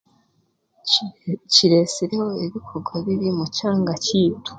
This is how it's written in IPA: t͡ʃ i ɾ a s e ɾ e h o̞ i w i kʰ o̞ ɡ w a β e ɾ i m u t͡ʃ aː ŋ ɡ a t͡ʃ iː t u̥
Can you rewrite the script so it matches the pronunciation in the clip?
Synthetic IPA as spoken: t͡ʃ i ɾ e s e ɾ e h o̞ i β i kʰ o̞ ɡ w a β i ɾ i m u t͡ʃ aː ŋ ɡ a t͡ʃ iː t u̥